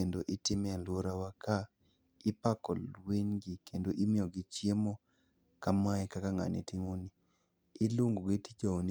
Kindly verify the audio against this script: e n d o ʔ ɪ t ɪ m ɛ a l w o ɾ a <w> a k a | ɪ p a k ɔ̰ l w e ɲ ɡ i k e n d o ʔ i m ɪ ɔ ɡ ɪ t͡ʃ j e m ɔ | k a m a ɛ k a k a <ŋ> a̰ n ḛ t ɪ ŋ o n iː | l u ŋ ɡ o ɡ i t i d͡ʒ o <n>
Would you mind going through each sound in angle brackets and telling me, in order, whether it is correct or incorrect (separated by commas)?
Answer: correct, correct, correct